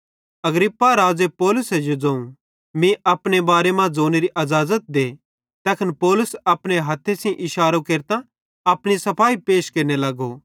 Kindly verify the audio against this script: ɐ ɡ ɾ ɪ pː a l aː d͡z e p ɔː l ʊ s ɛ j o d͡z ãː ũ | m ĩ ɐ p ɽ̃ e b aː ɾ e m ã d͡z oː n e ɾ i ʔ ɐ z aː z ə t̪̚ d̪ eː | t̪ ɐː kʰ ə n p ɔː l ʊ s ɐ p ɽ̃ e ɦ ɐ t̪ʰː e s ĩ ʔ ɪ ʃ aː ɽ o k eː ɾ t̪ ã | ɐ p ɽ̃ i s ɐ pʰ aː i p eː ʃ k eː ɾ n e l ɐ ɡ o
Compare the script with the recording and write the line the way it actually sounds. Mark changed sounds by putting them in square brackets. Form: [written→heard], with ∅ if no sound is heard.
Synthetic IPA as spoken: ɐ ɡ ɾ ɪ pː a [l→ɾ] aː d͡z e p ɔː l ʊ s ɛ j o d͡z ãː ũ | m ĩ ɐ p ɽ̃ e b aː ɾ e m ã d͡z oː n e ɾ i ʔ ɐ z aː z ə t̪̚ d̪ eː | t̪ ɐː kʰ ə n p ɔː l ʊ s ɐ p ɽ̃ e ɦ ɐ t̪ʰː e s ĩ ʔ ɪ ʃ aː [ɽ→ɾ] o k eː ɾ t̪ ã | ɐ p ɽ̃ i s ɐ pʰ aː i p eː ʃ k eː ɾ n e l ɐ ɡ o

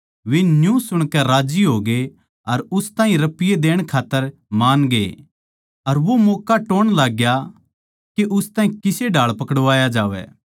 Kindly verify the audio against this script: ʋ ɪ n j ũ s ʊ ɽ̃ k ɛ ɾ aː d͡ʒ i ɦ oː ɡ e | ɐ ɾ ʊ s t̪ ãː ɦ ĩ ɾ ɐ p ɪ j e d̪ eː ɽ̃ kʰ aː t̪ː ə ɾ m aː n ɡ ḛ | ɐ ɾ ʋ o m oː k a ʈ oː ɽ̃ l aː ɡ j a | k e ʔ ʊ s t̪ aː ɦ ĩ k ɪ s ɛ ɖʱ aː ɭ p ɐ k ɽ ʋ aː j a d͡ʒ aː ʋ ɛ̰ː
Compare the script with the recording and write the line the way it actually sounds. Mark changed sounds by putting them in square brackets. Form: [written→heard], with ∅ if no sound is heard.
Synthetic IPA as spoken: ʋ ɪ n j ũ s ʊ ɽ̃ k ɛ ɾ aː d͡ʒ i ɦ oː ɡ e | ɐ ɾ ʊ s t̪ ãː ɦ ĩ ɾ ɐ p ɪ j e d̪ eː ɽ̃ kʰ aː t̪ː ə ɾ m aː n ɡ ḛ | ɐ ɾ ʋ o m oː k a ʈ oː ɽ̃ l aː ɡ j a | k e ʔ ʊ s t̪ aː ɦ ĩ k ɪ s [ɛ→e] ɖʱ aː ɭ p ɐ k ɽ ʋ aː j a d͡ʒ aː ʋ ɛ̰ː

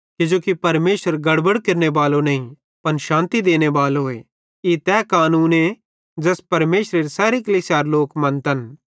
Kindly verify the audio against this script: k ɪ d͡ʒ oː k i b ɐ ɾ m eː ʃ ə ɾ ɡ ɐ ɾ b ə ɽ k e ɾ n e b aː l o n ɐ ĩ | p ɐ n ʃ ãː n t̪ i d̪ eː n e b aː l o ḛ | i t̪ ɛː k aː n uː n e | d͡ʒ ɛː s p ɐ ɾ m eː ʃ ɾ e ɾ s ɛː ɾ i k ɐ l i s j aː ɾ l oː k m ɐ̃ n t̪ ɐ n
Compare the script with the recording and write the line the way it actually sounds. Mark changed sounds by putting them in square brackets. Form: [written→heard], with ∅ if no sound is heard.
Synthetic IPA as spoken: k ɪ d͡ʒ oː k i [b→p] ɐ ɾ m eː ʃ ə ɾ ɡ ɐ [ɾ→ɽ] b ə ɽ k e ɾ n e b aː l o n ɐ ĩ | p ɐ n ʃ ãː n t̪ i d̪ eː n e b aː l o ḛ | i t̪ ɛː k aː n uː n e | d͡ʒ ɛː s p ɐ ɾ m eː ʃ ɾ e ɾ s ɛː ɾ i k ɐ l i s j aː ɾ l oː k m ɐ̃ n t̪ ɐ n

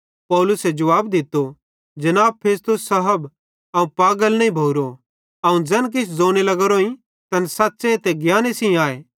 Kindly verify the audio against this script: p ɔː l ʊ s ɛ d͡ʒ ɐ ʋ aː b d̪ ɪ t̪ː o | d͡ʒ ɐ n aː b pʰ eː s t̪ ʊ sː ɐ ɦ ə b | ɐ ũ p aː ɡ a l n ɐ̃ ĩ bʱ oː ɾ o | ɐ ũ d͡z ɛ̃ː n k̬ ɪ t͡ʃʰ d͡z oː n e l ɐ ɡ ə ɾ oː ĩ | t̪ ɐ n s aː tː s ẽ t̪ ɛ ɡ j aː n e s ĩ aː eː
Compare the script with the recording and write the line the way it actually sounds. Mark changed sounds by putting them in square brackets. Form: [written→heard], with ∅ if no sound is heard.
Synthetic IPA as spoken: p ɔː l ʊ s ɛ d͡ʒ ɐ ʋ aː b d̪ ɪ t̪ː o | d͡ʒ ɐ n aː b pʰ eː s t̪ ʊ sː ɐ ɦ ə b | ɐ ũ p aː ɡ [a→ə] l n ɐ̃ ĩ bʱ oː ɾ o | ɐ ũ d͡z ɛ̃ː n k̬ ɪ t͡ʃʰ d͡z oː n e l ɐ ɡ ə ɾ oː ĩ | t̪ ɐ n s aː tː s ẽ t̪ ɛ ɡ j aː n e s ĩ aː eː

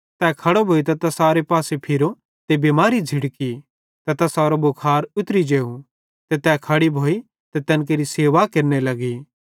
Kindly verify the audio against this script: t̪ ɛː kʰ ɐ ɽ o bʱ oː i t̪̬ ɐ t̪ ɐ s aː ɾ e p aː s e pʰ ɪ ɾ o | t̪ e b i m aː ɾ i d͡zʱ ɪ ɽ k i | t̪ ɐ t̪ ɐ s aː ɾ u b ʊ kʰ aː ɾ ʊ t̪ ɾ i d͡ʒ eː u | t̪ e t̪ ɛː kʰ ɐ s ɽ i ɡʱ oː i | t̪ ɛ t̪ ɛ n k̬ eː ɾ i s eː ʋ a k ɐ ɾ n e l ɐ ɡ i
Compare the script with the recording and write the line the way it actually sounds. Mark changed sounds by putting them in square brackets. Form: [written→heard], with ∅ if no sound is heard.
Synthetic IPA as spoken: t̪ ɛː kʰ ɐ ɽ o bʱ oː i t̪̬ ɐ t̪ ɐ s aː ɾ e p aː s e pʰ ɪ ɾ o | t̪ e b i m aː ɾ i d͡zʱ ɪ ɽ k i | t̪ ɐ t̪ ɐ s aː ɾ [u→o] b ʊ kʰ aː ɾ ʊ t̪ ɾ i d͡ʒ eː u | t̪ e t̪ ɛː kʰ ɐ [s→∅] ɽ i [ɡʱ→bʱ] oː i | t̪ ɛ t̪ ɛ n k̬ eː ɾ i s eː ʋ a k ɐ ɾ n e l ɐ ɡ i

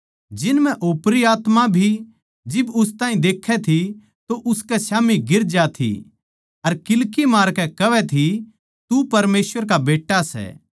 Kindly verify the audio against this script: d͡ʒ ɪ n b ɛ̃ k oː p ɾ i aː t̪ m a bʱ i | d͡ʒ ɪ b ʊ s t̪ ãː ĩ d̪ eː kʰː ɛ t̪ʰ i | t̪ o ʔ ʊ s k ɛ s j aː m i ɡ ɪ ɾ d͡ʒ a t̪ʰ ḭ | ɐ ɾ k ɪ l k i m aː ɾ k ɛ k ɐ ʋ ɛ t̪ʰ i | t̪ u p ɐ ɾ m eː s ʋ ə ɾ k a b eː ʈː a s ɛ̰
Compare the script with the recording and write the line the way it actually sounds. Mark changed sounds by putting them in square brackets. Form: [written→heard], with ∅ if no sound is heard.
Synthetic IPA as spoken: d͡ʒ ɪ n [b→m] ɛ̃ [k→ʔ] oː p ɾ i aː t̪ m a bʱ i | d͡ʒ ɪ b ʊ s t̪ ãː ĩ d̪ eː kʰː ɛ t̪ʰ i | t̪ o ʔ ʊ s k ɛ s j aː m i ɡ ɪ ɾ d͡ʒ a t̪ʰ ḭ | ɐ ɾ k ɪ l k i m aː ɾ k ɛ k ɐ ʋ ɛ t̪ʰ i | t̪ u p ɐ ɾ m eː s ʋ ə ɾ k a b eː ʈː a s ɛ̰

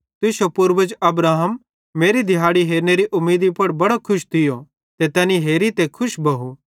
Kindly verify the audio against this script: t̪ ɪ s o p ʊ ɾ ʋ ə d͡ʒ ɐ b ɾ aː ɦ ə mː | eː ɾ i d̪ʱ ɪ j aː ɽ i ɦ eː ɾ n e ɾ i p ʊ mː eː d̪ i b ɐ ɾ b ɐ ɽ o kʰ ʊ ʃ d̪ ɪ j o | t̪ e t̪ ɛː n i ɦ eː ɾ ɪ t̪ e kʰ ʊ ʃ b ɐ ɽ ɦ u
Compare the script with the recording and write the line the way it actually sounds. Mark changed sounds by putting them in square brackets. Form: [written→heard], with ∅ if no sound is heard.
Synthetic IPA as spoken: t̪ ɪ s o p ʊ ɾ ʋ ə d͡ʒ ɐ b ɾ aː ɦ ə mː | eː ɾ i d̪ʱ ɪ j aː ɽ i ɦ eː ɾ n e ɾ i [p→ʔ] ʊ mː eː d̪ i [b→p] ɐ [ɾ→ɽ] b ɐ ɽ o kʰ ʊ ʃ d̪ ɪ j o | t̪ e t̪ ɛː n i ɦ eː ɾ [ɪ→i] t̪ e kʰ ʊ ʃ b ɐ [ɽ→∅] ɦ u

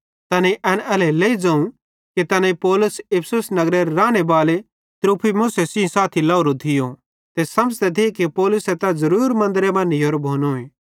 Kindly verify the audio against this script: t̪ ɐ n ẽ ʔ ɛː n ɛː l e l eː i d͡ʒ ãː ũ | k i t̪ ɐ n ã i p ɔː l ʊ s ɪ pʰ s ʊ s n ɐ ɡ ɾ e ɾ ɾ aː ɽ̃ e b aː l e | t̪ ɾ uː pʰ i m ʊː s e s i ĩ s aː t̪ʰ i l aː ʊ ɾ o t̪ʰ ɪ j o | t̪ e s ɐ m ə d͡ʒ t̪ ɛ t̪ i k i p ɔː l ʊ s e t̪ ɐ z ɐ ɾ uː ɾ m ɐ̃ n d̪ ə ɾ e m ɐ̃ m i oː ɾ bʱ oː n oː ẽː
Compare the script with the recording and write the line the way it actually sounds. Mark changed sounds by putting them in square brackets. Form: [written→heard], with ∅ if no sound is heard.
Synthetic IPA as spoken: t̪ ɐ n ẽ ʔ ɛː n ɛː l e l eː i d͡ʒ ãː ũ | k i t̪ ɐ n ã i p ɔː l ʊ s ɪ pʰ s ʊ s n ɐ ɡ ɾ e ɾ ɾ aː ɽ̃ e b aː l e | t̪ ɾ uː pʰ i m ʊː s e s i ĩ s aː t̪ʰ i l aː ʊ ɾ o t̪ʰ ɪ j o | t̪ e s ɐ m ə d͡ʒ t̪ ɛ t̪ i k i p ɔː l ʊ s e t̪ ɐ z ɐ ɾ uː ɾ m ɐ̃ n d̪ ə ɾ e m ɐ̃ [m→n] i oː ɾ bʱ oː n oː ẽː

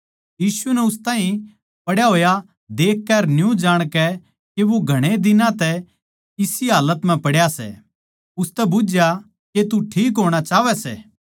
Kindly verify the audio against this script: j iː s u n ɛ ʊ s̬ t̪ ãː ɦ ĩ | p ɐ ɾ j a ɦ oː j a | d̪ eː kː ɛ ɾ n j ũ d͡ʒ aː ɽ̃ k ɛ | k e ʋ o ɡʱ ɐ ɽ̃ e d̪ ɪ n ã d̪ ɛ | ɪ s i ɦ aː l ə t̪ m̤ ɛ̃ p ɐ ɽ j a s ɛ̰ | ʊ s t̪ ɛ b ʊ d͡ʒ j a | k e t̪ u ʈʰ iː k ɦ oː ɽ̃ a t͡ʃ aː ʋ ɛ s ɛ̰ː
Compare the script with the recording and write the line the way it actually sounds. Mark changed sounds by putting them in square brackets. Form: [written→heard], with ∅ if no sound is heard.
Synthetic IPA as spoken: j iː s u n ɛ ʊ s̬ t̪ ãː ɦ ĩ | p ɐ [ɾ→ɽ] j a ɦ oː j a | d̪ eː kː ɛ ɾ n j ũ d͡ʒ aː ɽ̃ k ɛ | k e ʋ o ɡʱ ɐ ɽ̃ e d̪ ɪ n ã [d̪→t̪] ɛ | ɪ s i ɦ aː l ə t̪ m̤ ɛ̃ p ɐ ɽ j a s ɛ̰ | ʊ s t̪ ɛ b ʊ d͡ʒ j a | k e t̪ u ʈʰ iː k ɦ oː ɽ̃ a t͡ʃ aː ʋ ɛ s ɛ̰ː

